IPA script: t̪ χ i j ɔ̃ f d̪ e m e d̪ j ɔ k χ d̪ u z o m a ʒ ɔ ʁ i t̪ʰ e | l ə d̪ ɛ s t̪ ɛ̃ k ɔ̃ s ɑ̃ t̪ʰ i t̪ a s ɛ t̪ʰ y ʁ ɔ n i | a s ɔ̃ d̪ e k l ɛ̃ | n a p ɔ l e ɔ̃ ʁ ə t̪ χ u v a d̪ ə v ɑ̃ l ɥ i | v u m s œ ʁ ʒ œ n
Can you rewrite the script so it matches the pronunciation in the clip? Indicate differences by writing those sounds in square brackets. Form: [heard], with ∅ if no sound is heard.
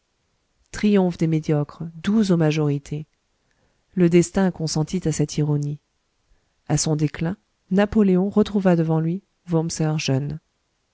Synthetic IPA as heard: t̪ χ i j ɔ̃ f d̪ e m e d̪ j ɔ k χ d̪ u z o m a ʒ ɔ ʁ i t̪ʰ e | l ə d̪ ɛ s t̪ ɛ̃ k ɔ̃ s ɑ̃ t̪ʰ i t̪ a s ɛ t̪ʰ [i] ʁ ɔ n i | a s ɔ̃ d̪ e k l ɛ̃ | n a p ɔ l e ɔ̃ ʁ ə t̪ χ u v a d̪ ə v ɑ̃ l ɥ i | v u m s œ ʁ ʒ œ n

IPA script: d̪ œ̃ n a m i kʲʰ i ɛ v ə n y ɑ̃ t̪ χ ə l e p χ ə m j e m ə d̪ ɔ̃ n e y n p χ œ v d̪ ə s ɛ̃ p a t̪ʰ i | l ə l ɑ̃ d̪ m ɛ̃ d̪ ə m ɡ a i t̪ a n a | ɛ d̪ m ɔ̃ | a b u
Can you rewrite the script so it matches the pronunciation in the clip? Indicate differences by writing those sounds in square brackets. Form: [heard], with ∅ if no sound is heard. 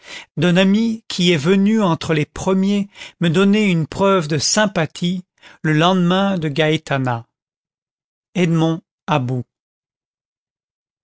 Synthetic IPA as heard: d̪ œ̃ n a m i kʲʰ i ɛ v ə n y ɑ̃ t̪ χ ə l e p χ ə m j e m ə d̪ [ɔ] n e y n p χ œ v d̪ ə s ɛ̃ p a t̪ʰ i | l ə l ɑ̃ d̪ m ɛ̃ d̪ ə [∅] ɡ a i t̪ a n a | ɛ d̪ m ɔ̃ | a b u

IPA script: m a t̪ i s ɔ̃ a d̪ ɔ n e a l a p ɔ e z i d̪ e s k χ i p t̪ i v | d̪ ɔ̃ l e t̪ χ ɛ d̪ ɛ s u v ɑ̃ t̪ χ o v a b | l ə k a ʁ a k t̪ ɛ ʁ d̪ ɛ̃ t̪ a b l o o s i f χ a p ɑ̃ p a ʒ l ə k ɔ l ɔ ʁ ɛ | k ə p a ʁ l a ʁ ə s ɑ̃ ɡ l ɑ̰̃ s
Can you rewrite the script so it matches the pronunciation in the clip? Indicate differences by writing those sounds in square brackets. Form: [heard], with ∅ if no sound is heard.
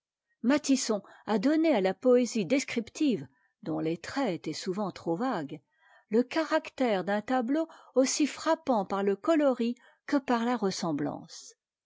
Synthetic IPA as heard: m a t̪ i s ɔ̃ a d̪ ɔ n e a l a p ɔ e z i d̪ e s k χ i p t̪ i v | d̪ ɔ̃ l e t̪ χ ɛ [t̪] ɛ s u v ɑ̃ t̪ χ o v a [ɡ] | l ə k a ʁ a k t̪ ɛ ʁ d̪ ɛ̃ t̪ a b l o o s i f χ a p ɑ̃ p a [ʁ] l ə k ɔ l ɔ ʁ [i] | k ə p a ʁ l a ʁ ə s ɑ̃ [b] l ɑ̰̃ s

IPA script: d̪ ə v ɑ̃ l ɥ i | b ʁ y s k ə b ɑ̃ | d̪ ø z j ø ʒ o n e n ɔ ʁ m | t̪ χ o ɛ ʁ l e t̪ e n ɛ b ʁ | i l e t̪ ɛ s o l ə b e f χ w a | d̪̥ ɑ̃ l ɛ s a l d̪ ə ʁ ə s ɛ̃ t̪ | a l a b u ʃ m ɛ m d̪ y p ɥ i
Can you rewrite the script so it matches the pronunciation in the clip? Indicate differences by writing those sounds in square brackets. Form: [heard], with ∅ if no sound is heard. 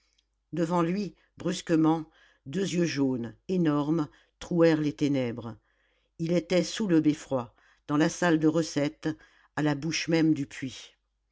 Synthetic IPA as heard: d̪ ə v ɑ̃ l ɥ i | b ʁ y s k ə [m] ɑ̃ | d̪ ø z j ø ʒ o n e n ɔ ʁ m | t̪ χ [u] ɛ ʁ l e t̪ e n ɛ b ʁ | i l e t̪ ɛ s [u] l ə b e f χ w a | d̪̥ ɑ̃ l [a] s a l d̪ ə ʁ ə s [ɛ] t̪ | a l a b u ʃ m ɛ m d̪ y p ɥ i

